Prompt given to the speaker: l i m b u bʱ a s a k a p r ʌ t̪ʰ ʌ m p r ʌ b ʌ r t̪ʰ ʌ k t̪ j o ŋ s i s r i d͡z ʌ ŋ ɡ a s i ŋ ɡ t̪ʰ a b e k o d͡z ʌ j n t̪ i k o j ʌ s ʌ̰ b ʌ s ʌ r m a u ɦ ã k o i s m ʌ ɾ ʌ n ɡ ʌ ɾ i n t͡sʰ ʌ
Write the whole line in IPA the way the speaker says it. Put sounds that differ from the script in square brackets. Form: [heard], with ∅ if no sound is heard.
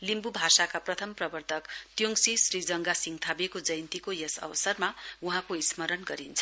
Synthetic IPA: l i m b u bʱ a s a k a p r ʌ t̪ʰ ʌ m p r ʌ b ʌ r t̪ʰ ʌ k t̪ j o ŋ s i s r i d͡z ʌ ŋ ɡ a s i ŋ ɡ t̪ʰ a b e k o d͡z ʌ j n t̪ i k o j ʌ s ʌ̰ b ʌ s ʌ r m a u ɦ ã k o i s m ʌ ɾ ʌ n ɡ ʌ ɾ i n t͡sʰ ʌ